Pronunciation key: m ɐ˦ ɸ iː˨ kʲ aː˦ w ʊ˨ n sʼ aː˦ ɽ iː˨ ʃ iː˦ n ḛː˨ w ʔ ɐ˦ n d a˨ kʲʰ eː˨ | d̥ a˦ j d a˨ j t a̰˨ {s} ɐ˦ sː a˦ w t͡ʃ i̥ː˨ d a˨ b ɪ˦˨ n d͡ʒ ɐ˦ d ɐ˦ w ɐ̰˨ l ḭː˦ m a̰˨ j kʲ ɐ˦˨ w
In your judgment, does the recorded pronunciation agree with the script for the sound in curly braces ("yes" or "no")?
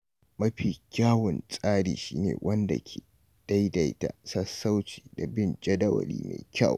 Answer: yes